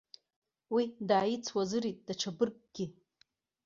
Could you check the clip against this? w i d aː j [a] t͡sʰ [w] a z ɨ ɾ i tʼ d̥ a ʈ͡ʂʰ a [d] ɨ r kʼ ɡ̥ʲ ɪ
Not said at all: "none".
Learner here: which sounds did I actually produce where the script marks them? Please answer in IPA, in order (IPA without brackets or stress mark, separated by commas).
i, w, b